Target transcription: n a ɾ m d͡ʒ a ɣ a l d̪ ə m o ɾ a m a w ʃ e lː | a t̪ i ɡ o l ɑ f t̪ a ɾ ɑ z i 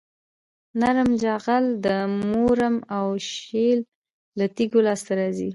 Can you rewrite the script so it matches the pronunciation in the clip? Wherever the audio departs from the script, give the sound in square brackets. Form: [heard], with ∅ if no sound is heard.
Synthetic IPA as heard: n a ɾ m d͡ʒ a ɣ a l d̪ ə m o ɾ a m a w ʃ e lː | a t̪ i ɡ o l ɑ [s] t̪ a ɾ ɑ z i